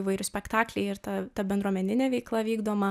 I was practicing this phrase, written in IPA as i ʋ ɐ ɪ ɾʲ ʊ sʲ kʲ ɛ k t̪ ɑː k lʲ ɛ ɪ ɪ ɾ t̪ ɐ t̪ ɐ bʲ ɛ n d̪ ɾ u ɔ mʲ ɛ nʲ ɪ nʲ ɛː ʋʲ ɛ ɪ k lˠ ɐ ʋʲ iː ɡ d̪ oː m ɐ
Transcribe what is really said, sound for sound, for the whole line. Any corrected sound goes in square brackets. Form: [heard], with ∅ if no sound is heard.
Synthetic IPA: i ʋ ɐ ɪ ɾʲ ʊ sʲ [pʲ] ɛ k t̪ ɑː k lʲ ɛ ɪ ɪ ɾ t̪ ɐ t̪ ɐ bʲ ɛ n d̪ ɾ u ɔ mʲ ɛ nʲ ɪ nʲ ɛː ʋʲ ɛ ɪ k lˠ ɐ ʋʲ iː ɡ d̪ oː m ɐ